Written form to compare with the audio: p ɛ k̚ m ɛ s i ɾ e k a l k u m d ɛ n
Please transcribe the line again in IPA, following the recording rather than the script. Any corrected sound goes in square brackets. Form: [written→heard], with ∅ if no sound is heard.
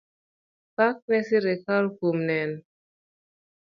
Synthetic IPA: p [ɛ→a] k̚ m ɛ s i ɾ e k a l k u m [d→n] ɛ n